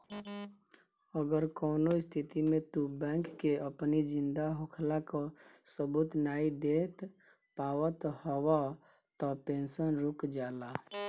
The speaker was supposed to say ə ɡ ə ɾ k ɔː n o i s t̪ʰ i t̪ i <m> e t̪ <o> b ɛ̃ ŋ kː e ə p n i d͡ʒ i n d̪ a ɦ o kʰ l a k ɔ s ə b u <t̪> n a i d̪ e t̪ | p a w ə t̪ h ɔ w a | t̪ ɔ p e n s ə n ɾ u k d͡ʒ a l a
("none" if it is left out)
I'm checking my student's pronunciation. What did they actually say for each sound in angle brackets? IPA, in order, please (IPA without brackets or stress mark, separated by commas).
m, u, t̪